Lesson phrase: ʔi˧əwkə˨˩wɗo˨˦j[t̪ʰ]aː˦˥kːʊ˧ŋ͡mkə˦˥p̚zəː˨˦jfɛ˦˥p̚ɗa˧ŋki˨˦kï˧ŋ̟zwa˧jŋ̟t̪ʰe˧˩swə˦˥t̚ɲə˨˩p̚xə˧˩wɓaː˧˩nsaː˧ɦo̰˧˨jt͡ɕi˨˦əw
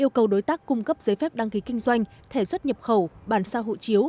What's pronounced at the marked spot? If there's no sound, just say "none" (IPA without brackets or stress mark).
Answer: t̪